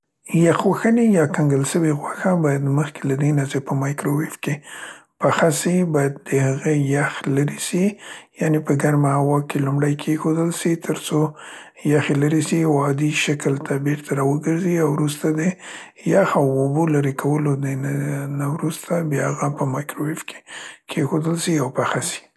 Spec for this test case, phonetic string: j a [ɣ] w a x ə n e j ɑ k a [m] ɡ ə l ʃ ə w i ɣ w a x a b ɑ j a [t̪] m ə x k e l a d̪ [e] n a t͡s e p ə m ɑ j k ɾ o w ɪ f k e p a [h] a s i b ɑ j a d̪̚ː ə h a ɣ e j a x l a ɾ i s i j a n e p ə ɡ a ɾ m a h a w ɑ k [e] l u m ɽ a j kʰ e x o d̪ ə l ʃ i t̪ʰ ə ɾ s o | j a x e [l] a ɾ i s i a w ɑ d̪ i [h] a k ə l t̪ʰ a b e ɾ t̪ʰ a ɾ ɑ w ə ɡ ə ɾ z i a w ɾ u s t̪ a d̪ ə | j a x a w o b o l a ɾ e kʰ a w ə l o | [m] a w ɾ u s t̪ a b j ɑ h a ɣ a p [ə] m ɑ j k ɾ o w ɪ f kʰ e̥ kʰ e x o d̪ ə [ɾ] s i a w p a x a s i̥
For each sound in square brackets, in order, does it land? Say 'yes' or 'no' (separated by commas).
no, no, no, yes, no, yes, yes, no, no, yes, no